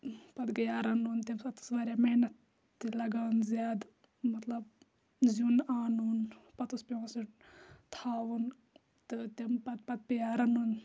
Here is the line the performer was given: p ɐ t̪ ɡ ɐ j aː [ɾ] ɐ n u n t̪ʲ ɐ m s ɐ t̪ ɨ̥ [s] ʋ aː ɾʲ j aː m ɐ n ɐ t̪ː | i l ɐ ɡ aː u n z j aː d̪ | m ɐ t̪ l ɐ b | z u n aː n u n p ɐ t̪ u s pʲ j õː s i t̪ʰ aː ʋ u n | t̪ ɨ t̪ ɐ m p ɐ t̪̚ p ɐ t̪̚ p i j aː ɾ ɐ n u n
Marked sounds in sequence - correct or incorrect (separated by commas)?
correct, correct